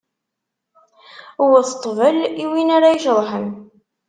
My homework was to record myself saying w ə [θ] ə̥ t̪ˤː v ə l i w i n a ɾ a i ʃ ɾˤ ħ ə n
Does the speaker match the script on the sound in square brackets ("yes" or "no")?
yes